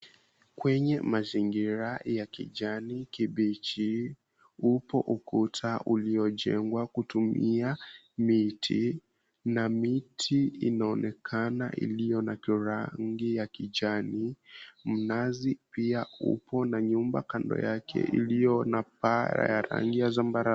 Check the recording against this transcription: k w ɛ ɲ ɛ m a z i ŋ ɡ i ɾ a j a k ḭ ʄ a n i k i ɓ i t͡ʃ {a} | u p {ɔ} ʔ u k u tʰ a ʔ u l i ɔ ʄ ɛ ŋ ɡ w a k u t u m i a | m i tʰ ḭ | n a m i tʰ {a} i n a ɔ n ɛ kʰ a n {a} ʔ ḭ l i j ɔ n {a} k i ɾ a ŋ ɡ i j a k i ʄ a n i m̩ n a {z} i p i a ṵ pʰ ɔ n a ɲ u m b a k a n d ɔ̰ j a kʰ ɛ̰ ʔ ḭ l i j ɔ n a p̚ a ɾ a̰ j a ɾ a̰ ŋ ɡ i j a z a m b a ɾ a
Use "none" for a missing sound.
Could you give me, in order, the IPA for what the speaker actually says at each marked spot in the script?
i, ɔ, i, a, a, z

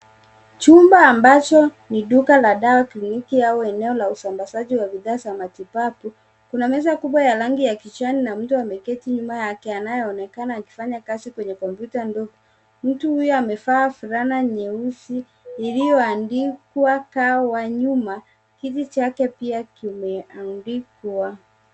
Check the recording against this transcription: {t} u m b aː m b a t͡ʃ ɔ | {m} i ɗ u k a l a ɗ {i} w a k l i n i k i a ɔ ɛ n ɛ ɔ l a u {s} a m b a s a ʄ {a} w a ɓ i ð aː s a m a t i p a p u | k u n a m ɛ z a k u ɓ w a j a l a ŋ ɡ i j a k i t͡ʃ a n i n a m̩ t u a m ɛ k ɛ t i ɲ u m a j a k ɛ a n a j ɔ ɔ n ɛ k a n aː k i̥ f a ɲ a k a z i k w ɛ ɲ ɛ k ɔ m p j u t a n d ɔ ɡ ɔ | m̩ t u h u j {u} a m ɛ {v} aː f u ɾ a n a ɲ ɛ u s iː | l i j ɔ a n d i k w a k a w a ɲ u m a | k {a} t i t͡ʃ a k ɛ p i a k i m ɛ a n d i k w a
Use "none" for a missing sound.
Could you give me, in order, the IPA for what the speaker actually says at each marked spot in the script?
t͡ʃ, n, a, s, i, ɔ, f, i

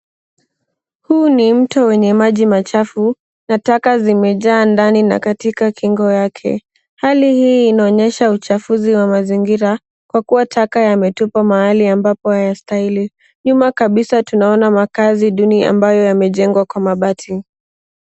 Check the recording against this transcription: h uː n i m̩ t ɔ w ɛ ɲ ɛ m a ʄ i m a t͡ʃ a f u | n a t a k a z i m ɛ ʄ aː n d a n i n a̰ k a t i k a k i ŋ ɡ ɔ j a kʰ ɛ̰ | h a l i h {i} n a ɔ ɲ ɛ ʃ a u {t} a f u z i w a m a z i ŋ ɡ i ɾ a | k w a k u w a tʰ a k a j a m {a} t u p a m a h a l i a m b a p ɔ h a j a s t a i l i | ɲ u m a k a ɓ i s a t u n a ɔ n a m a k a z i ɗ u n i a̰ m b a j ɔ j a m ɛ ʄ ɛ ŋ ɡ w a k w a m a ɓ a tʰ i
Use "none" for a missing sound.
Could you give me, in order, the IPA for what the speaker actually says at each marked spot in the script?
iː, t͡ʃ, ɛ

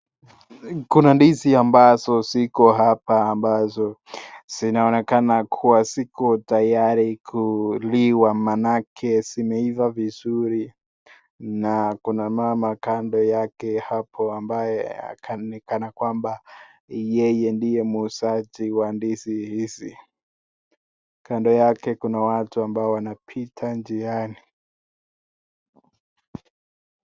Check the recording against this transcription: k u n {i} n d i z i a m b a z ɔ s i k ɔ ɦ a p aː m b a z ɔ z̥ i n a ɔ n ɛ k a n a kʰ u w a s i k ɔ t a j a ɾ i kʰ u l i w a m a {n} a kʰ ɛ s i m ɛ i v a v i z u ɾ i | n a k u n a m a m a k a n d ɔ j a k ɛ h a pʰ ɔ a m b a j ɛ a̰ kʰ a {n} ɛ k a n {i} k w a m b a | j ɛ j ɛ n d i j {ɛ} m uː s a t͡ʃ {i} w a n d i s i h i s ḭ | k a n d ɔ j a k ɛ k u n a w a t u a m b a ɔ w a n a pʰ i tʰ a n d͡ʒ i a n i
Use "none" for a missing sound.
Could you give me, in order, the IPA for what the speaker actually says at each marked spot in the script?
a, n, n, a, ɛ, i

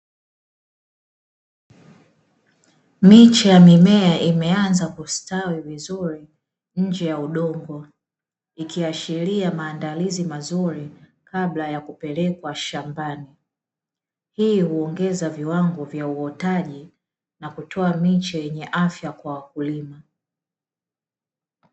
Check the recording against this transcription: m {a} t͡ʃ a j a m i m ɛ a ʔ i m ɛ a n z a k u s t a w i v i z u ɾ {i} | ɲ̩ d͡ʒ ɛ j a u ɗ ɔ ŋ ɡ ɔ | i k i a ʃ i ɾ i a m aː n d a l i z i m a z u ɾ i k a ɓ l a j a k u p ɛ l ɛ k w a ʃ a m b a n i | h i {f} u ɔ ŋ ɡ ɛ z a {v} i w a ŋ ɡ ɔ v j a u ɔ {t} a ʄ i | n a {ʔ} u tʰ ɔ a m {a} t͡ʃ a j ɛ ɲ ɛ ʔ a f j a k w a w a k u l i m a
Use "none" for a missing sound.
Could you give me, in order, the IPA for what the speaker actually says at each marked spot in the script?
i, i, h, v, t, k, i

